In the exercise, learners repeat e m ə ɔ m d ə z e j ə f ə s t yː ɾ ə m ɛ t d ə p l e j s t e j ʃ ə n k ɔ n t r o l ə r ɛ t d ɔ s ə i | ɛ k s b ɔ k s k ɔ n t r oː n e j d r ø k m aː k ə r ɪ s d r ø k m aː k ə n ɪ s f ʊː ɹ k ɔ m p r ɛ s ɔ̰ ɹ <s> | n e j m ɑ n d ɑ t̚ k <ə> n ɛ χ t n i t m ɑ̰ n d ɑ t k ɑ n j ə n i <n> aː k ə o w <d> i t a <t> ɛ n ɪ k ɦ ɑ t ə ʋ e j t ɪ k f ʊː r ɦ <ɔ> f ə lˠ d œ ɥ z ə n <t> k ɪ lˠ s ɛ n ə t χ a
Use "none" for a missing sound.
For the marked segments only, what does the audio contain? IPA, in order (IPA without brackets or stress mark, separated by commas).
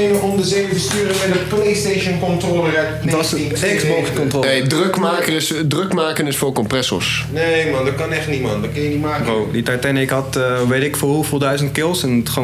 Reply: s, ɑ, m, d, t, u, t